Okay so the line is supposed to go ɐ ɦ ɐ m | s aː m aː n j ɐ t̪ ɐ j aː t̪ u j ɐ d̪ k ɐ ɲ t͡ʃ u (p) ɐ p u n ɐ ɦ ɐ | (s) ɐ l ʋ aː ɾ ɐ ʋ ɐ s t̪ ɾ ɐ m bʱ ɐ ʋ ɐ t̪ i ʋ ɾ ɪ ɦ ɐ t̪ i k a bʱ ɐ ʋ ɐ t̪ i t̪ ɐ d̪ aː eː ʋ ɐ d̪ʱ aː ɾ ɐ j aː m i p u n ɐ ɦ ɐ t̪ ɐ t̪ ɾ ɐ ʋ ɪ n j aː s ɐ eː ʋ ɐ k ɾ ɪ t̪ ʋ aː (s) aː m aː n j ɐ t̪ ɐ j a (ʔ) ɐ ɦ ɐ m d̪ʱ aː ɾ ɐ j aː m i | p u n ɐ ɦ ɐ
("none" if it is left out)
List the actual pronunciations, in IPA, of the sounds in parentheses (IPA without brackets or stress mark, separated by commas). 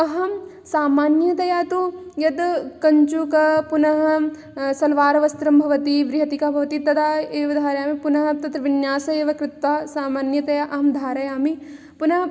k, s, s, ʔ